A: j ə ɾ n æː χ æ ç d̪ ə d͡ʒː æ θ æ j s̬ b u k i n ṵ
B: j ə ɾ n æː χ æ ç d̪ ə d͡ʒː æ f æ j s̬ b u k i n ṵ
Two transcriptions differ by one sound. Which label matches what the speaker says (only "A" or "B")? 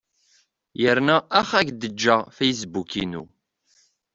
B